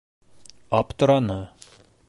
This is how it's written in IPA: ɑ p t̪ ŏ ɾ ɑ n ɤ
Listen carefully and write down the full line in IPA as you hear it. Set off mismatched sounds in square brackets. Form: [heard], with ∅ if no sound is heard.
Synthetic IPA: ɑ p t̪ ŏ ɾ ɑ n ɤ